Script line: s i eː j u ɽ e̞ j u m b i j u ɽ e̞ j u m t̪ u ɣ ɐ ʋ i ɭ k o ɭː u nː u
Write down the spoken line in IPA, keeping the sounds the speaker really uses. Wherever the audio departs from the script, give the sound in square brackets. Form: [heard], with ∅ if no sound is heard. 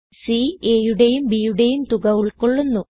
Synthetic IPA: s i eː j u ɽ e̞ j u m b i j u ɽ e̞ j u m t̪ u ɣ ɐ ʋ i ɭ k o ɭː u nː u